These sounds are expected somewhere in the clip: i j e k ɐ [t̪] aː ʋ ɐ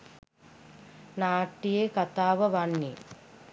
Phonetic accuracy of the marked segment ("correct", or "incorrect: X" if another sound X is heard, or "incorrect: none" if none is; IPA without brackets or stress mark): correct